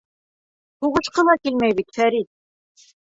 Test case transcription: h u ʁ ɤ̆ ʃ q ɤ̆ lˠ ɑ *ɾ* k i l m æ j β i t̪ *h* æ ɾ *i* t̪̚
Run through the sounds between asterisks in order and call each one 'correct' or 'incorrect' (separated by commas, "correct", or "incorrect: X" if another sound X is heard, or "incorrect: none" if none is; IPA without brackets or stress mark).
incorrect: none, incorrect: f, correct